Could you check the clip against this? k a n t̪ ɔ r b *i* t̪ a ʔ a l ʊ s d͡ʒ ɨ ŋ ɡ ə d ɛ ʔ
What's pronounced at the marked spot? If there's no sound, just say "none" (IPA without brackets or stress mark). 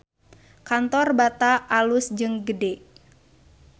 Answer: a